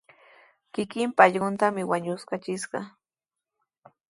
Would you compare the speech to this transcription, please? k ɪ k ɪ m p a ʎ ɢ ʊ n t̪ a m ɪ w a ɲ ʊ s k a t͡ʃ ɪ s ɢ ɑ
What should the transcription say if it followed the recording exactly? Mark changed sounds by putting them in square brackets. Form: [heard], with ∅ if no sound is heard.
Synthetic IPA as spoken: k ɪ k ɪ m p a ʎ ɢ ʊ n t̪ a m ɪ w a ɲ ʊ s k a t͡ʃ ɪ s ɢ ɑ